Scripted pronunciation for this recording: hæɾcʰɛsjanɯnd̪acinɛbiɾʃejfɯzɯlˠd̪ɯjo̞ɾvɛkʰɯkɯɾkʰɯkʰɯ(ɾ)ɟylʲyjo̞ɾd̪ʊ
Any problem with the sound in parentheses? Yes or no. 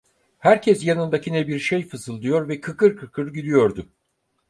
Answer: no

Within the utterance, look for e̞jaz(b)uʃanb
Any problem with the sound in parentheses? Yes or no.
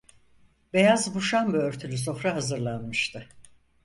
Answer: no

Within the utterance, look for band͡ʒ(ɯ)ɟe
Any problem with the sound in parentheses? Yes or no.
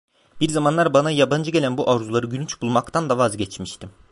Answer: no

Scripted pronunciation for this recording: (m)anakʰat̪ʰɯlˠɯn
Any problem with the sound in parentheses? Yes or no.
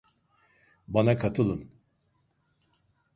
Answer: yes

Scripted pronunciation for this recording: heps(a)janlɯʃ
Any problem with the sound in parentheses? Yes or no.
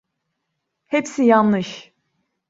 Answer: yes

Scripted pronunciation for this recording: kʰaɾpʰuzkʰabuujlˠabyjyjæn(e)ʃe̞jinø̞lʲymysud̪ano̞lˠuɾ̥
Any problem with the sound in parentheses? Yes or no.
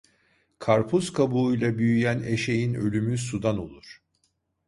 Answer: no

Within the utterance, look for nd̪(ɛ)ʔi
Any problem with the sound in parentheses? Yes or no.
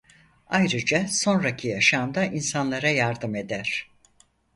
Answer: yes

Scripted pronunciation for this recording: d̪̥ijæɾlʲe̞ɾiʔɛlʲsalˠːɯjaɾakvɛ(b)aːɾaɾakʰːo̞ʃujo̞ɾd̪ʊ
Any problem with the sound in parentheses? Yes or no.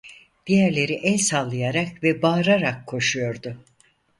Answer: no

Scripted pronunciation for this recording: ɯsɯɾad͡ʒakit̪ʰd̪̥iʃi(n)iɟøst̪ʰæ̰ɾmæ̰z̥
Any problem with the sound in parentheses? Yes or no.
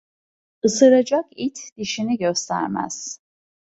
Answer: no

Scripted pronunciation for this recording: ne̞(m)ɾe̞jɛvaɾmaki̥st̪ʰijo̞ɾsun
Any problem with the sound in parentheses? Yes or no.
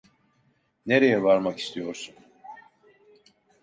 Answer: yes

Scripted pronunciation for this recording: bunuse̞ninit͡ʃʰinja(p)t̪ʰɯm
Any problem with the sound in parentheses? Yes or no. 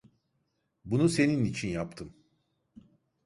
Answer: no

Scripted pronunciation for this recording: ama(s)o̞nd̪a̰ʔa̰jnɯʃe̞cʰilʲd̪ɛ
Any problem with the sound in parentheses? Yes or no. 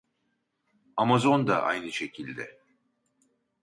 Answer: yes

